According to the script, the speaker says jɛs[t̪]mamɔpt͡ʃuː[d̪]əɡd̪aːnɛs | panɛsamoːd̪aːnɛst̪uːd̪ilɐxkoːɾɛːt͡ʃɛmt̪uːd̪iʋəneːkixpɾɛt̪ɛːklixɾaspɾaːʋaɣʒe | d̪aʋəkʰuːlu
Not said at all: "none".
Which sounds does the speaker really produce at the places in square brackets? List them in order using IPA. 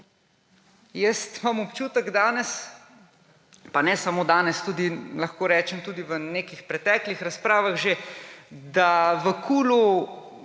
t̪, t̪

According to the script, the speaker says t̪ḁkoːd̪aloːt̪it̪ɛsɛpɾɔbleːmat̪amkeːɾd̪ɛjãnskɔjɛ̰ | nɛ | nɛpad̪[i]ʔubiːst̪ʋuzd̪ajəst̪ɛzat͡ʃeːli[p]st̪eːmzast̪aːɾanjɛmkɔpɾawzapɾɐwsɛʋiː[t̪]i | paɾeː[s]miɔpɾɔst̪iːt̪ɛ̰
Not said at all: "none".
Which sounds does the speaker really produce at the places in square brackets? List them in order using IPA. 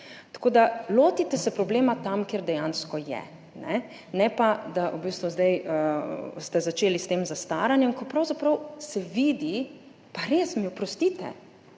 a, none, d̪, s

